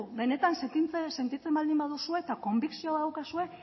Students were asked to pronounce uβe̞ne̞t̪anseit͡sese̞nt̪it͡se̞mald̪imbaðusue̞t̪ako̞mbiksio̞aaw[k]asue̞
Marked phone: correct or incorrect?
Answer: correct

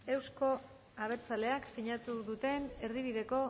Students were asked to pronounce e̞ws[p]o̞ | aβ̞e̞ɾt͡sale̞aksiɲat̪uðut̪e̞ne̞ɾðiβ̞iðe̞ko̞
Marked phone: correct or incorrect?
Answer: incorrect: k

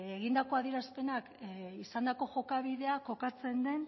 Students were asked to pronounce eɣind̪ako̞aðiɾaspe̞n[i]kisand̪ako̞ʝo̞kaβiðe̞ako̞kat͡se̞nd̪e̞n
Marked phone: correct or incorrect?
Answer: incorrect: a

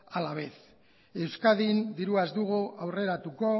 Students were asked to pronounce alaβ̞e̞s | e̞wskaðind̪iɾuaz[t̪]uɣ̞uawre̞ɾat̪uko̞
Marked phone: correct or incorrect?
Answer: incorrect: d̪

